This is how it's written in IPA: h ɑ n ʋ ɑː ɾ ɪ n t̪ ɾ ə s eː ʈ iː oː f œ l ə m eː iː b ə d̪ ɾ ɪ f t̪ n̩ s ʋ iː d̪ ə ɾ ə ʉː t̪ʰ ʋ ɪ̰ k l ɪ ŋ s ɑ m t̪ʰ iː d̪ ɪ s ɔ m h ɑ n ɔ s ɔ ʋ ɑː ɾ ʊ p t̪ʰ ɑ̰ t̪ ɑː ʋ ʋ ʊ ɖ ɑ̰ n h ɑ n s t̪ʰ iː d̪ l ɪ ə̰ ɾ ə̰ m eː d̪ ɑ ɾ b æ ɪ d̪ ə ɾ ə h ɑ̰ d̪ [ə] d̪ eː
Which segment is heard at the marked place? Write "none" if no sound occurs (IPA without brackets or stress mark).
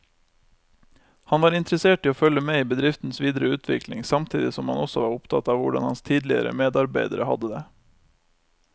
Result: ə